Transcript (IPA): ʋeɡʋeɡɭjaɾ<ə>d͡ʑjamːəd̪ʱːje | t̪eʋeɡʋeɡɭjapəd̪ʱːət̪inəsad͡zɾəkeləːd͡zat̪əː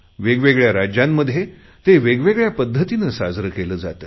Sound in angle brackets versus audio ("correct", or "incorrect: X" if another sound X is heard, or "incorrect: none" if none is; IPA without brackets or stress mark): incorrect: a